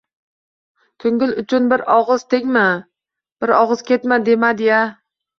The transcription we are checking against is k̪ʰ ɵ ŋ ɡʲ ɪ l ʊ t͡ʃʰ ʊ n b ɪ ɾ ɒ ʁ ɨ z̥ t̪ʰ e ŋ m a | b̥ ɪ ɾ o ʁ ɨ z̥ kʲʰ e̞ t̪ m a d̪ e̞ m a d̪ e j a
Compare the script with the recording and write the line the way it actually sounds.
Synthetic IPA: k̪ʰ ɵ ŋ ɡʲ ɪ l ʊ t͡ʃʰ ʊ n b ɪ ɾ ɒ ʁ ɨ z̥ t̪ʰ e ŋ m a | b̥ ɪ ɾ ɒ ʁ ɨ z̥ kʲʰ e̞ t̪ m a d̪ e̞ m a d̪ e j a